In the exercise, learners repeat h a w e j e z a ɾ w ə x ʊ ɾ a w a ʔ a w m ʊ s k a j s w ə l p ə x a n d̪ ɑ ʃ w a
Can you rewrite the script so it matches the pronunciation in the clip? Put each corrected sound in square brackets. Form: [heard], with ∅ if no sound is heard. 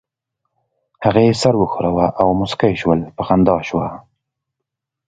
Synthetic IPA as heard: h a [ɣ] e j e [s] a ɾ w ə x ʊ ɾ a w a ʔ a w m ʊ s k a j [ʃ] w ə l p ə x a n d̪ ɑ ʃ w a

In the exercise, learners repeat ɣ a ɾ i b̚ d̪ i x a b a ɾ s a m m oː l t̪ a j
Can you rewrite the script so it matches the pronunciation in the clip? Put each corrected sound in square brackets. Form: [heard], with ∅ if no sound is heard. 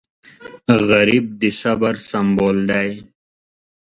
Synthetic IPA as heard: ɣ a ɾ i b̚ d̪ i [s] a b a ɾ s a m [b] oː l [d̪] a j

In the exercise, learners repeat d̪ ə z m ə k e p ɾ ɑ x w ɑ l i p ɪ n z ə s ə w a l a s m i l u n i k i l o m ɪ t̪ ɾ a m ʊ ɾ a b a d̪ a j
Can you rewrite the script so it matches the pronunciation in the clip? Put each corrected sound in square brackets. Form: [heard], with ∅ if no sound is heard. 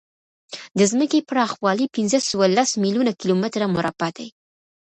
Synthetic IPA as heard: d̪ ə z m ə k e p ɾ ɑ x w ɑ l i p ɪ n z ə s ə w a l a s m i l u n [a] k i l o m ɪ t̪ ɾ a m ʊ ɾ a b a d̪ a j

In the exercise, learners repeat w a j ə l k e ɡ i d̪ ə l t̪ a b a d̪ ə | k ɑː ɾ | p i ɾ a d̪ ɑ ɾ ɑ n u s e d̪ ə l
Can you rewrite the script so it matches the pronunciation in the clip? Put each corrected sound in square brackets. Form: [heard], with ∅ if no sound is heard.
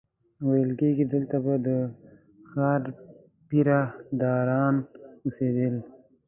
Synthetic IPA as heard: w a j ə l k e ɡ i d̪ ə l t̪ a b a d̪ ə | [x] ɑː ɾ | p i ɾ a d̪ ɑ ɾ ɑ n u s e d̪ ə l

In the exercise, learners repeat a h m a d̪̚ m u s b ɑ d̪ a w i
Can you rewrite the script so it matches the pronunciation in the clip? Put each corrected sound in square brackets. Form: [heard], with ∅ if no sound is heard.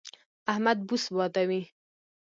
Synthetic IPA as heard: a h m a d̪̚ [b] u s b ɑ [t̪] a w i

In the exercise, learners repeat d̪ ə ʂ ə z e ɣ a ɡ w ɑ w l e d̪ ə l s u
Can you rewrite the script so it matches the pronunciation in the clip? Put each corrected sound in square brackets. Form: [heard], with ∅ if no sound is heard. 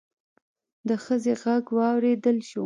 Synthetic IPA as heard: d̪ ə [x] ə z e ɣ a ɡ w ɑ w [ɾ] e d̪ ə l [ʃ] u

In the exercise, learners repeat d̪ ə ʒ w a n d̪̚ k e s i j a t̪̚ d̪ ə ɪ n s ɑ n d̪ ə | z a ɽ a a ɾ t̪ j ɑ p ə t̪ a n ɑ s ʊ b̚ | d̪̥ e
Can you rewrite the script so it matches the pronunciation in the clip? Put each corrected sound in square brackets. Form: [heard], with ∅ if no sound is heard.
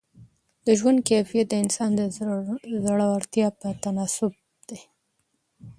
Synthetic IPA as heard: d̪ ə ʒ w a n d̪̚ k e [f] i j a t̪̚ d̪ ə ɪ n s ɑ n d̪ ə | z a ɽ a a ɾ t̪ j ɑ p ə t̪ a n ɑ s ʊ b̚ | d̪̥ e

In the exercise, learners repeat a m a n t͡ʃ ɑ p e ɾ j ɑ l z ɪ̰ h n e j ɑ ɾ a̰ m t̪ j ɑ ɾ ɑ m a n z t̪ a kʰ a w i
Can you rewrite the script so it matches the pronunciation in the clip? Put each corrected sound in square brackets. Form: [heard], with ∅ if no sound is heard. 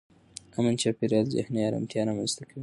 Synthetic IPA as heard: a m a n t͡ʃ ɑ p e ɾ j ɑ l z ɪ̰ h n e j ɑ ɾ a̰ m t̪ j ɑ ɾ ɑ m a n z t̪ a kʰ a w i

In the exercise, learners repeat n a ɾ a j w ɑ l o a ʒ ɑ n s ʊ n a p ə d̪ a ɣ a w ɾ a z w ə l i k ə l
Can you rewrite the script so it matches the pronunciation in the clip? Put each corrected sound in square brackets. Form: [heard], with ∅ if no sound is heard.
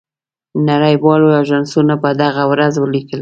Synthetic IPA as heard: n a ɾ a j w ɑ l o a ʒ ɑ n s [u] n a p ə d̪ a ɣ a w ɾ a z w ə l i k ə l

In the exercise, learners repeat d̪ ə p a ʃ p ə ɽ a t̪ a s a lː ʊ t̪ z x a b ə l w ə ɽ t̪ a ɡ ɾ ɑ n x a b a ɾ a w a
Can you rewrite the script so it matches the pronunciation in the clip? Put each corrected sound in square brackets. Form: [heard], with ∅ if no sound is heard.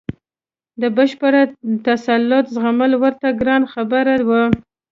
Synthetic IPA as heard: d̪ ə [b] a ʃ p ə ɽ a t̪ a s a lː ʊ t̪ z [ɣ] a [m] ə l w ə [ɾ] t̪ a ɡ ɾ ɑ n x a b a ɾ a w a

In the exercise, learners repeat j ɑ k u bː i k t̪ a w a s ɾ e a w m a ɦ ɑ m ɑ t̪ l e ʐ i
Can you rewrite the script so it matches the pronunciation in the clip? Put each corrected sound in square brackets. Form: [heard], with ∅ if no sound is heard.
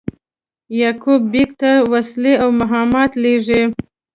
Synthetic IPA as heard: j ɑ k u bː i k t̪ a w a s [l] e a w m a ɦ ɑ m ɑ t̪ l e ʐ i

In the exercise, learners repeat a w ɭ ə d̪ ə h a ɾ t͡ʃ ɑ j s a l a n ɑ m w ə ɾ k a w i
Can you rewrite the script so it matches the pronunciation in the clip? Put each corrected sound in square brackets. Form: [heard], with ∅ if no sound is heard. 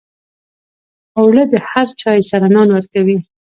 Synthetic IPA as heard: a w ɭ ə d̪ ə h a ɾ t͡ʃ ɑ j s a [ɾ] a n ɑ [n] w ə ɾ k a w i

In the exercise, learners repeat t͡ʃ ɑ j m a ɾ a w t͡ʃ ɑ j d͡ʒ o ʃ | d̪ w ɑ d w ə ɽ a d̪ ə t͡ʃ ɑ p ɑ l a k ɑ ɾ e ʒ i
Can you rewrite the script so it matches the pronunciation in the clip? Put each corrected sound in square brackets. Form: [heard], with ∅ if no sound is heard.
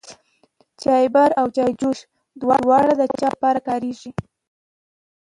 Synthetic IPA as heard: t͡ʃ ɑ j [b] a ɾ a w t͡ʃ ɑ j d͡ʒ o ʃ | d̪ w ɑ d w [ɑ] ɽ a d̪ ə t͡ʃ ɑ p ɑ [ɾ] a k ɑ ɾ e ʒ i

